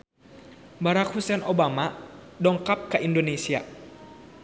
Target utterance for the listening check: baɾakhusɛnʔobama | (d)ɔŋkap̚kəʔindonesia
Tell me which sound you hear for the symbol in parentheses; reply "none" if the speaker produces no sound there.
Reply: d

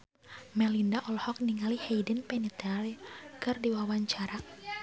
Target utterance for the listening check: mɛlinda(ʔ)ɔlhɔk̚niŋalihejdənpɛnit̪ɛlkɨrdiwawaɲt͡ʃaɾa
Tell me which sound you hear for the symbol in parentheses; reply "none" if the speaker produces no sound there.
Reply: ʔ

